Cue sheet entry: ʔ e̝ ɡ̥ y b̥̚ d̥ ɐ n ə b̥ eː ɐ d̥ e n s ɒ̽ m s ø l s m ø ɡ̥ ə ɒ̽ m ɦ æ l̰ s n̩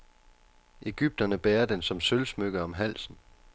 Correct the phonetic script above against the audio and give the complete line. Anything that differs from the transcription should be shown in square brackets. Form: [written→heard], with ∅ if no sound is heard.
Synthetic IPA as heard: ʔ e̝ ɡ̥ y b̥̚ d̥ ɐ n ə b̥ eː ɐ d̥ e n s ɒ̽ m s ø l s m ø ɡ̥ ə ɒ̽ m ɦ æ l̰ s n̩